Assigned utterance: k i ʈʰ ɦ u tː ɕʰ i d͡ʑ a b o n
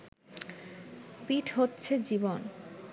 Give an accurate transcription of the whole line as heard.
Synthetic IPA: p i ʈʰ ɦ o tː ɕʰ e d͡ʑ i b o n